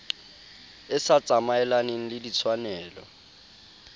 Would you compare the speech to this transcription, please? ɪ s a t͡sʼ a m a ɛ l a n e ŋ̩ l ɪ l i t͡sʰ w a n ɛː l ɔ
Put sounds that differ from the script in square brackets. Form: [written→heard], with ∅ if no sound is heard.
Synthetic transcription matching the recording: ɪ s a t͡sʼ a m a ɛ l a n e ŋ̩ l ɪ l i t͡sʰ w a n ɛː l ɔ